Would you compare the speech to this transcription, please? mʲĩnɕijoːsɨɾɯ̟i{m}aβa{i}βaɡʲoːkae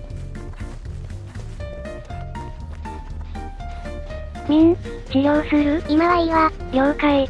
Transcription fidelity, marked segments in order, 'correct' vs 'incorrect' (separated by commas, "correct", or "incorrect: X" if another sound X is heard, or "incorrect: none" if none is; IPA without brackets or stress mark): correct, correct